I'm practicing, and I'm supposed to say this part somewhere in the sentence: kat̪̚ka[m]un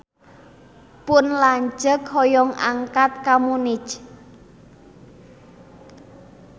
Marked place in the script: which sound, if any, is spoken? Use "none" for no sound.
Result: m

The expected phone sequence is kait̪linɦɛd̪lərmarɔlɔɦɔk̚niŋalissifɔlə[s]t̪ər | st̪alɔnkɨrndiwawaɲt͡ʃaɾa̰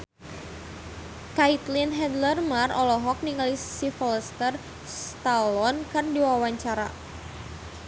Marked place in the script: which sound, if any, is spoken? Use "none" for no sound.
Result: s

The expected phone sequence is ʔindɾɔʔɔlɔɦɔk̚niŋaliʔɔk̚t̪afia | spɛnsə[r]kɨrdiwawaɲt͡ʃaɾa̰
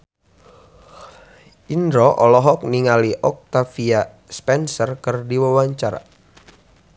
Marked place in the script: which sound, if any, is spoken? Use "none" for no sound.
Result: r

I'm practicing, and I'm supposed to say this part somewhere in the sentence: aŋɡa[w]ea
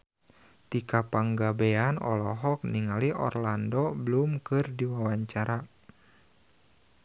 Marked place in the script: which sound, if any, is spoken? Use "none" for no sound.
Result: b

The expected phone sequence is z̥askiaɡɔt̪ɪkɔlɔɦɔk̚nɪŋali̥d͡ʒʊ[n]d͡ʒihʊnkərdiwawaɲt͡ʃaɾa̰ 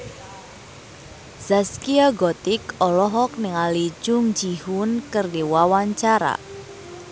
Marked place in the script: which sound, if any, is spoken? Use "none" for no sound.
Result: ŋ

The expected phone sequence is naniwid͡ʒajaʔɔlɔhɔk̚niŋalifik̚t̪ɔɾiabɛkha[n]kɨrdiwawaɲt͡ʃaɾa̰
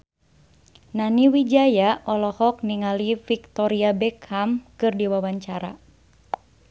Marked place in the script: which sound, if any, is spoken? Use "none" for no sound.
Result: m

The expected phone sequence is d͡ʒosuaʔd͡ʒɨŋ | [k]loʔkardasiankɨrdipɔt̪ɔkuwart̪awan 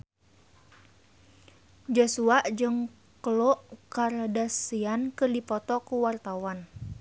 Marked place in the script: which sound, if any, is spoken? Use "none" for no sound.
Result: k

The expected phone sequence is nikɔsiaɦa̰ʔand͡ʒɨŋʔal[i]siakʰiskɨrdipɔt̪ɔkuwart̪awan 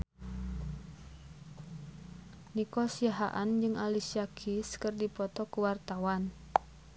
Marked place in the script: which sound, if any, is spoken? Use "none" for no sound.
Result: i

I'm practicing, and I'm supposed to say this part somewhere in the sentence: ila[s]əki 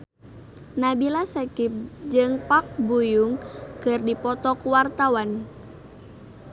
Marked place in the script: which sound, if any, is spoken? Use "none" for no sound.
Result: s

